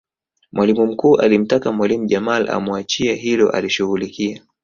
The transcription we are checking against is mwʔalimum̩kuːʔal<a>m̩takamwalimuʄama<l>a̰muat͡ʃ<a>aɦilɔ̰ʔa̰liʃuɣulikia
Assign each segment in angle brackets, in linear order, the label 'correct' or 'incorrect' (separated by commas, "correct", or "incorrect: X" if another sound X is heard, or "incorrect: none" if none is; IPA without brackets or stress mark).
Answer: incorrect: i, correct, incorrect: i